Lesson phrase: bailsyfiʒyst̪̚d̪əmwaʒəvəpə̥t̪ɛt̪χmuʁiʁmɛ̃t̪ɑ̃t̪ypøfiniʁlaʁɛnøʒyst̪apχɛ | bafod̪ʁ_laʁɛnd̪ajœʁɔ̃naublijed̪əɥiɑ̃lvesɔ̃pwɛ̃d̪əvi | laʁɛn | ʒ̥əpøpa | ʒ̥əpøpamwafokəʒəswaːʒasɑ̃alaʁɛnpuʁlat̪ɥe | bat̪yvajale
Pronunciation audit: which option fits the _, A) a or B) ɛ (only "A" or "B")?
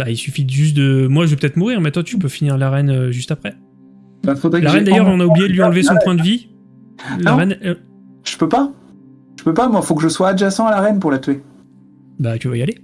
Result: B